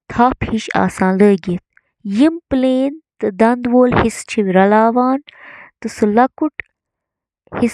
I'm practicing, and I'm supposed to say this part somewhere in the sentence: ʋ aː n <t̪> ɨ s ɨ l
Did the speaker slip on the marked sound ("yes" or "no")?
no